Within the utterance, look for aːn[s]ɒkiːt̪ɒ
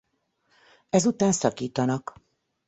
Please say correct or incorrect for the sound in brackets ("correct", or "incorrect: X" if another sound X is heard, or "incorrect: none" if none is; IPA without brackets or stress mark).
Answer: correct